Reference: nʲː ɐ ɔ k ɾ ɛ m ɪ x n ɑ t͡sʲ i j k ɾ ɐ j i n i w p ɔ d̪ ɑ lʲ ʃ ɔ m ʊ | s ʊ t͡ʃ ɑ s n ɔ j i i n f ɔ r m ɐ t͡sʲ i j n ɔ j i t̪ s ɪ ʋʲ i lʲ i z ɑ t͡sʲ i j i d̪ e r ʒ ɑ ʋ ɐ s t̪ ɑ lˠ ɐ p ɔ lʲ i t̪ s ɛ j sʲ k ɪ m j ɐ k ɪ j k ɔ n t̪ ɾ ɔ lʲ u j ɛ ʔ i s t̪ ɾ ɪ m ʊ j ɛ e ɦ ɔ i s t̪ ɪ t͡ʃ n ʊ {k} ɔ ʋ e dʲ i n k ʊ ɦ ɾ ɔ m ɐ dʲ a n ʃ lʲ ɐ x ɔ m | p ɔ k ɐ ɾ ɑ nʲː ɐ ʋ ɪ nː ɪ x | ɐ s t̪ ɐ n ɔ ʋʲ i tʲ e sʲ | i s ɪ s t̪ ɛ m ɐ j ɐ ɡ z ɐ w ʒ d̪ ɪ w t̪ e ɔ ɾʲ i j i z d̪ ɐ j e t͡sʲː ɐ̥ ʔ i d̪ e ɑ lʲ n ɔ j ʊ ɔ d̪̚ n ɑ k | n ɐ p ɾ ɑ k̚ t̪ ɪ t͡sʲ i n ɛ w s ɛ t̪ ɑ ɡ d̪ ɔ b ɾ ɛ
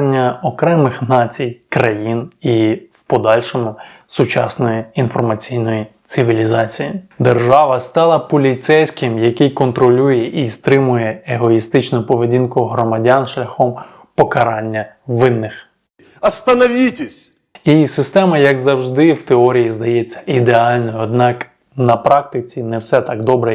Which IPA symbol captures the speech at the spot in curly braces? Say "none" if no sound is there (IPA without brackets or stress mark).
p